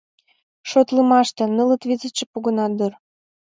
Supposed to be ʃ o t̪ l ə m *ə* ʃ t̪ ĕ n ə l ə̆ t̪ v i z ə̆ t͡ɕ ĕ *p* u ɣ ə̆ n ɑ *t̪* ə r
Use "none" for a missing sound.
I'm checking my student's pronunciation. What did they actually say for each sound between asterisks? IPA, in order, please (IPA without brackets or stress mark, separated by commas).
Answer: ɑ, p, d̪